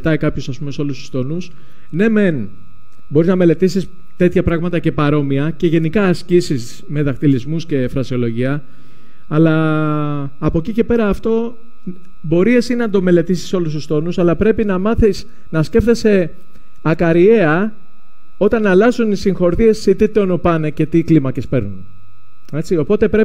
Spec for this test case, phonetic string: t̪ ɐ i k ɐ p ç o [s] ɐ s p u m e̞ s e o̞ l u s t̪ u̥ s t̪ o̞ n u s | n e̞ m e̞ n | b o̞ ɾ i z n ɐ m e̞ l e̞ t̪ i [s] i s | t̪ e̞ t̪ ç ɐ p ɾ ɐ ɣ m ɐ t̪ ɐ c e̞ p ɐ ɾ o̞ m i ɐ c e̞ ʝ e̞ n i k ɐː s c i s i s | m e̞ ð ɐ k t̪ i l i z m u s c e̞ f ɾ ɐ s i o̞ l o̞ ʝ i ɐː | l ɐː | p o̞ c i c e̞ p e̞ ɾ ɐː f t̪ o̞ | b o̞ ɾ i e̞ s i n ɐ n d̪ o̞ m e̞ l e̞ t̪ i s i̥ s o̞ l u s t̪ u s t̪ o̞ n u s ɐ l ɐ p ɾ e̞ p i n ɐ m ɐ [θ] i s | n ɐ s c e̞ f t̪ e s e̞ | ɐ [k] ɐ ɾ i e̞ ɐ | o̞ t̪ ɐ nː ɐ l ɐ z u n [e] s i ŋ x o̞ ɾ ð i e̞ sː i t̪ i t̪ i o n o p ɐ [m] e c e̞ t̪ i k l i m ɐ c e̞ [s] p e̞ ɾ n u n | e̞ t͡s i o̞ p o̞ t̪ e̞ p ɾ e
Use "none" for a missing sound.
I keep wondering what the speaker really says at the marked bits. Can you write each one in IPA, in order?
s, s, θ, k, i, n, s

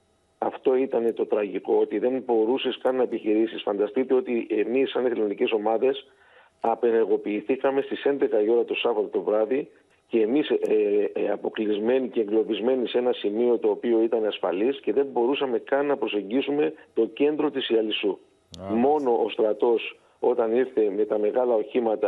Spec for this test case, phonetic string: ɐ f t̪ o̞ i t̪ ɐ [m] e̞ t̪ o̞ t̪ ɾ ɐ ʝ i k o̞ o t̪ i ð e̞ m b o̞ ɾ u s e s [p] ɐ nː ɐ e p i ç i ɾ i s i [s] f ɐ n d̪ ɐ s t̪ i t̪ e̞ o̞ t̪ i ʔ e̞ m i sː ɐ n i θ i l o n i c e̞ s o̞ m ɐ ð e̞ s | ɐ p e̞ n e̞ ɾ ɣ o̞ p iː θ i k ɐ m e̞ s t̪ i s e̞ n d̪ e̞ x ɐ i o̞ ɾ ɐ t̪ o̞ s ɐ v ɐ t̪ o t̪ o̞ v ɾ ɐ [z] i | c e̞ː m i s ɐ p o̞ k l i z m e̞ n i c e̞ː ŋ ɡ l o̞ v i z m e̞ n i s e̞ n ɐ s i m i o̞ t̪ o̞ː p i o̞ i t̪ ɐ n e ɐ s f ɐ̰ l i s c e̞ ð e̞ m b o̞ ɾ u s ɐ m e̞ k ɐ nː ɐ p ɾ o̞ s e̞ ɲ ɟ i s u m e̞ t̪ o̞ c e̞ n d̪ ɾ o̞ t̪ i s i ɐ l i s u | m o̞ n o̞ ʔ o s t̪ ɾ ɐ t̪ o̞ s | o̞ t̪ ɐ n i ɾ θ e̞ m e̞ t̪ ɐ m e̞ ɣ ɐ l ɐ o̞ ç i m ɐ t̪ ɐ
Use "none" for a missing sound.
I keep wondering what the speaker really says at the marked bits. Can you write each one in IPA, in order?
n, k, s, ð

